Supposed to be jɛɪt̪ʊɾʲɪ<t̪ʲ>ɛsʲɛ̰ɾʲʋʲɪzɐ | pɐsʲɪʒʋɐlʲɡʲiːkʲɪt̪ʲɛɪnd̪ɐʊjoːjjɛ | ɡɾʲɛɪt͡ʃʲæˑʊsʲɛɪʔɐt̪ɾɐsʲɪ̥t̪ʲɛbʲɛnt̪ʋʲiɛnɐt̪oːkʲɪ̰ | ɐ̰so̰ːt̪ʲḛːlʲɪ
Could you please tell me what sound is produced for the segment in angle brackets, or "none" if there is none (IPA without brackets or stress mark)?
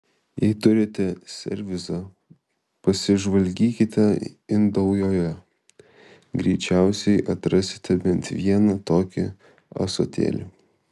t̪ʲ